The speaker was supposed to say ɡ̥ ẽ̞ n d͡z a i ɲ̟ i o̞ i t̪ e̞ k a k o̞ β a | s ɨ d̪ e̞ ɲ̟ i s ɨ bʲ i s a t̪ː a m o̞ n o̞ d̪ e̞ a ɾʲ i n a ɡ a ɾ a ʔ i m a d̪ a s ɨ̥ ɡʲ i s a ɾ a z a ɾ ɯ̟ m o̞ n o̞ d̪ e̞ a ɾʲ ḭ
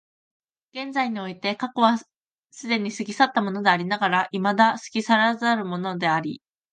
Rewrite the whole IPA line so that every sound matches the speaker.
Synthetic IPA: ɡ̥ ẽ̞ n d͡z a i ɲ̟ i o̞ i t̪ e̞ k a k o̞ β a | s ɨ d̪ e̞ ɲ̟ i s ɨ ɡʲ i s a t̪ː a m o̞ n o̞ d̪ e̞ a ɾʲ i n a ɡ a ɾ a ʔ i m a d̪ a s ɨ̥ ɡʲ i s a ɾ a z a ɾ ɯ̟ m o̞ n o̞ d̪ e̞ a ɾʲ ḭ